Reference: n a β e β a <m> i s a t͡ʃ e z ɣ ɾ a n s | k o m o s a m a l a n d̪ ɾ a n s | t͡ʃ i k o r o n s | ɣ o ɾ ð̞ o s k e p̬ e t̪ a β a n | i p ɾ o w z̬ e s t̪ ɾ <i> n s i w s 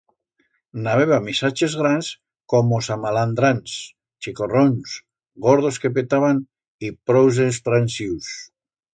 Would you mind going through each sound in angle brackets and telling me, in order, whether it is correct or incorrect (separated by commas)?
correct, incorrect